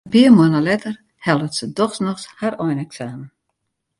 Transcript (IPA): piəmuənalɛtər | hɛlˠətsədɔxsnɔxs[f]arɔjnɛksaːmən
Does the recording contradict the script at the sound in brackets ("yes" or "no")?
yes